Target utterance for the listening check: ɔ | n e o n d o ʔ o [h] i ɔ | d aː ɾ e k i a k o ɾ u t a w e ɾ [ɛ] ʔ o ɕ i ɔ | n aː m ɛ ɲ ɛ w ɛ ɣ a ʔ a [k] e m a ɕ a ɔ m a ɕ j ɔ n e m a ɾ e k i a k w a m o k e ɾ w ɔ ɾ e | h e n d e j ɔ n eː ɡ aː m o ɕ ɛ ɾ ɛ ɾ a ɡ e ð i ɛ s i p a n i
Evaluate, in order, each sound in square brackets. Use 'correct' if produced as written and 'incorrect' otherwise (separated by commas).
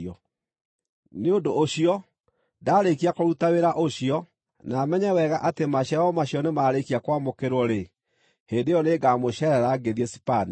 incorrect, incorrect, incorrect